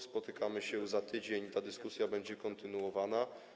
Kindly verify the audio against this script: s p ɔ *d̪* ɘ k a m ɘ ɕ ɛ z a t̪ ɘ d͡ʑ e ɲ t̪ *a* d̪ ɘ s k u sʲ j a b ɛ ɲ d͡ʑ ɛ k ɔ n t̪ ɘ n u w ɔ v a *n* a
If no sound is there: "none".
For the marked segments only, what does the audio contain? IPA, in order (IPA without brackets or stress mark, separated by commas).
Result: t̪, a, n